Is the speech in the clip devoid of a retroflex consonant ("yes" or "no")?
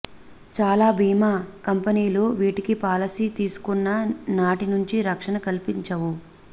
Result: no